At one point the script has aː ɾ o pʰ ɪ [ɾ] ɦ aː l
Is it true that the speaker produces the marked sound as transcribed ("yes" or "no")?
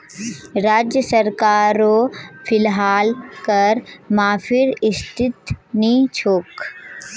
no